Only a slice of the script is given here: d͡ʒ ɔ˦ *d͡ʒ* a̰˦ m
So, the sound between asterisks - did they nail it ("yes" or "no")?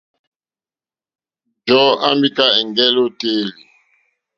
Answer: no